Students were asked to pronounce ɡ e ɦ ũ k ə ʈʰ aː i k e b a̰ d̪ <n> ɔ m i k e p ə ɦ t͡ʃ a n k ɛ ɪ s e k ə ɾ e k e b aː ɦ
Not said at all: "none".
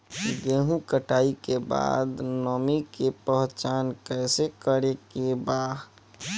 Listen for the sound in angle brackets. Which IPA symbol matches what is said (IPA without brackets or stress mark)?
n